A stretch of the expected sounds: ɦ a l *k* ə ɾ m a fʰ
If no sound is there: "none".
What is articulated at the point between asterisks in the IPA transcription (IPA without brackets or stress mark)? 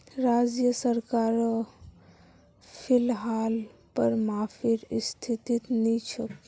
p